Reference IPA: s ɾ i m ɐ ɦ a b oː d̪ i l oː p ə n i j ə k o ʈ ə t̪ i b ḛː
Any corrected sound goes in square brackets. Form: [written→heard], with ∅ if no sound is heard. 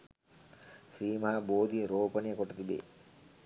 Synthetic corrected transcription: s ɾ [i→iː] m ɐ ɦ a b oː d̪ i [l→ɾ] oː p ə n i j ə k o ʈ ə t̪ i b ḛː